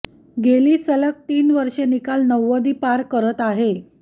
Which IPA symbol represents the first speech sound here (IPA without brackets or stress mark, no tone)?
ɡ